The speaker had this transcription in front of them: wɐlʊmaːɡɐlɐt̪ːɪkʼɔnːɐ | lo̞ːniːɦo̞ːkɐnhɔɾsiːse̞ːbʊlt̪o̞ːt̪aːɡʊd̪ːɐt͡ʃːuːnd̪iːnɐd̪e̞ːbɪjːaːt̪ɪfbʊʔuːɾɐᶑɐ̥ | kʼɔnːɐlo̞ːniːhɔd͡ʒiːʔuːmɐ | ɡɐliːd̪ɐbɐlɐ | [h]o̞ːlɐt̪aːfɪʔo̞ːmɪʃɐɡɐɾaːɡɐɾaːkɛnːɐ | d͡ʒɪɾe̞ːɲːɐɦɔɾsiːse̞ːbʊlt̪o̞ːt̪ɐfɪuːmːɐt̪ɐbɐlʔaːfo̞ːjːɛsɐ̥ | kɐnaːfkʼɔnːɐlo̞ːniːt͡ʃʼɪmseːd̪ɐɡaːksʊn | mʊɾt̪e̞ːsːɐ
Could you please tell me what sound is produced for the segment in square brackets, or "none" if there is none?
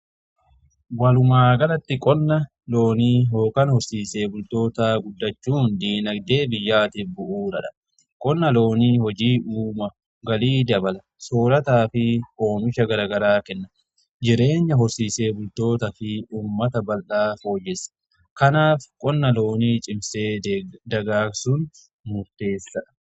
s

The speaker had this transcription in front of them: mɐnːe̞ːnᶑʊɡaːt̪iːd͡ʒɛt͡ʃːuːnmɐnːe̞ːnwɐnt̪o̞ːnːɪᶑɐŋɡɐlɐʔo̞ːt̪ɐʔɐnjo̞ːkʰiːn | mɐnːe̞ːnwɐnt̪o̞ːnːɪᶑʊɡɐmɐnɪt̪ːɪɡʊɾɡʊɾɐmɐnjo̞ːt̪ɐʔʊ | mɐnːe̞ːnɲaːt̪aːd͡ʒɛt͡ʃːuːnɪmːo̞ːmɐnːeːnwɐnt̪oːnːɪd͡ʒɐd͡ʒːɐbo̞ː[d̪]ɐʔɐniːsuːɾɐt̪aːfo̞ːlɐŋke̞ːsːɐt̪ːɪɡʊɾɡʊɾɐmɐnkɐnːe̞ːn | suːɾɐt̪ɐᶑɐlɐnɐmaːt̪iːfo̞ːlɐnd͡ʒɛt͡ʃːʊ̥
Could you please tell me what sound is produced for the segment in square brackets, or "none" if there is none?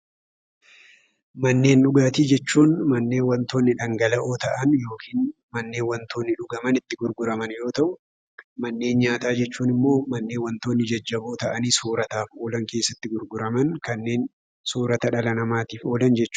t̪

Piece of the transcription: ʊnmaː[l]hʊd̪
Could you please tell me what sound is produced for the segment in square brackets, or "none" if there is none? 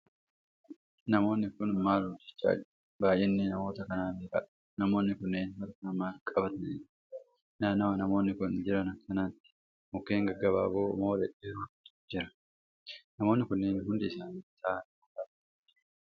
l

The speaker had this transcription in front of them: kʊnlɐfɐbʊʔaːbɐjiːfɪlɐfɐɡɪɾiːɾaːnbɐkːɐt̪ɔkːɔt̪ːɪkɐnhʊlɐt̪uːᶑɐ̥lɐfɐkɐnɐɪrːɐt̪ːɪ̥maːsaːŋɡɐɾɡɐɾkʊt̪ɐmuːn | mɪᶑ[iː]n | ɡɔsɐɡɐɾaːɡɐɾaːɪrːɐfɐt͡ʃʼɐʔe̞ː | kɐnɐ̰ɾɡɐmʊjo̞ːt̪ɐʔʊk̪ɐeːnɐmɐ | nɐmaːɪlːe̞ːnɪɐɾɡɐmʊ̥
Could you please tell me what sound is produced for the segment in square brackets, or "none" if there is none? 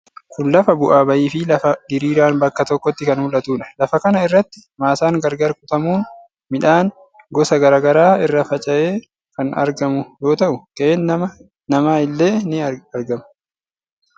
aː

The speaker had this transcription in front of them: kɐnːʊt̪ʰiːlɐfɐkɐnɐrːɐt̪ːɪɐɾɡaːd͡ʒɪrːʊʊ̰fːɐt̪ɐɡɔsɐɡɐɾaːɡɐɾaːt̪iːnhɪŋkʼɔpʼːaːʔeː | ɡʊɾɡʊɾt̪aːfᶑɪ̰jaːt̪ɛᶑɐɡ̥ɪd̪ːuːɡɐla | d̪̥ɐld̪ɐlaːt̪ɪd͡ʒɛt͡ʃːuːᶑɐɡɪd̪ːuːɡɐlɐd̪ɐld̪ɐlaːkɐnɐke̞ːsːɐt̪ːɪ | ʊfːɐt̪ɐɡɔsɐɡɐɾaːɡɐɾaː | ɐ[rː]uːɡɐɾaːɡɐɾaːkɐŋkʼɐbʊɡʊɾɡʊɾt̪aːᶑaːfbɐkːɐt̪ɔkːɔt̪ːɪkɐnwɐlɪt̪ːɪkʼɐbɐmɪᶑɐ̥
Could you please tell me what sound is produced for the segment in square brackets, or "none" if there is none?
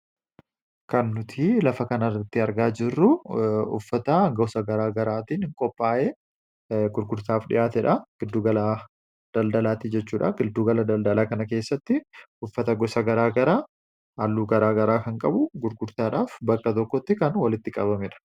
lː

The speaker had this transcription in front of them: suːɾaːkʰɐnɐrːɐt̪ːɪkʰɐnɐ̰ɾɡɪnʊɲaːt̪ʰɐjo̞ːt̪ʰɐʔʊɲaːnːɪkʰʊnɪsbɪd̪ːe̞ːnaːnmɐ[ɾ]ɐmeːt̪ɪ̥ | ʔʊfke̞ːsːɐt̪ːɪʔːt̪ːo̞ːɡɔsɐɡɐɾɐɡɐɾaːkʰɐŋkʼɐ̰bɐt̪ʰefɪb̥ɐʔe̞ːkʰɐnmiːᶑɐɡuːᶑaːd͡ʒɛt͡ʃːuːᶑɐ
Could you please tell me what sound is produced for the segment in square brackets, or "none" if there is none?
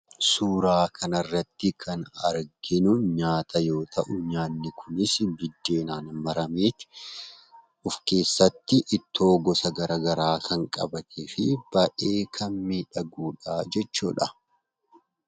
ɾ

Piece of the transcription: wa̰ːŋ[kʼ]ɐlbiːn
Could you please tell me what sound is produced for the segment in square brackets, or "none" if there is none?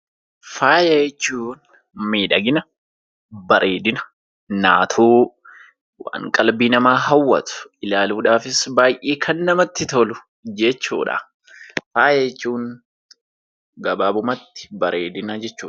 kʼ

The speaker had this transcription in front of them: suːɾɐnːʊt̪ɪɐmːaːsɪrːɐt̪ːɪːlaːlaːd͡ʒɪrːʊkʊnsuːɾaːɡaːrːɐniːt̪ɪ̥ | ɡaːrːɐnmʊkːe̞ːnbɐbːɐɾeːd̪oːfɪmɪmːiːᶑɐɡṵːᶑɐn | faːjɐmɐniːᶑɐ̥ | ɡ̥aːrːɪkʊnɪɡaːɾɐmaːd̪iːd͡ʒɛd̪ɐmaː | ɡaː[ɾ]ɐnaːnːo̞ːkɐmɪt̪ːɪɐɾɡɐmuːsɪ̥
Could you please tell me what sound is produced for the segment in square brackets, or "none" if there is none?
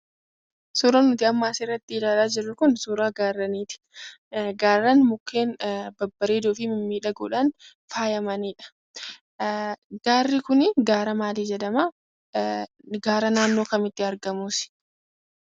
ɾ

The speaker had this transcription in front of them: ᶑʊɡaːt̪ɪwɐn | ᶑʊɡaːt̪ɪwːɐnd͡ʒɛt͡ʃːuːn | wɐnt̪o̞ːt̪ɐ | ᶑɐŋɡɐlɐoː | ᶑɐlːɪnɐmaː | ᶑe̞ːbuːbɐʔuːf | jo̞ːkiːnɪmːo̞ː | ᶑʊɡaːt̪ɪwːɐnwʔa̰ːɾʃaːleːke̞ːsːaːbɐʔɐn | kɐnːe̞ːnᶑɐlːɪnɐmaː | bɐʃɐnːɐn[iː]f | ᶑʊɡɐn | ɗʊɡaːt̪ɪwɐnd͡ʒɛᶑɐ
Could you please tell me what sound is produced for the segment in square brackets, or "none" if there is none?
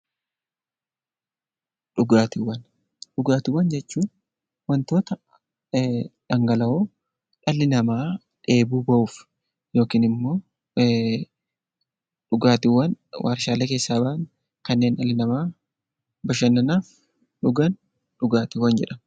aː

